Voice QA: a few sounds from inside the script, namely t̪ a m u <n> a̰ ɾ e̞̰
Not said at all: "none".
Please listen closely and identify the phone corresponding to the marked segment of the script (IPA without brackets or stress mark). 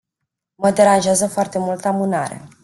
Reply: n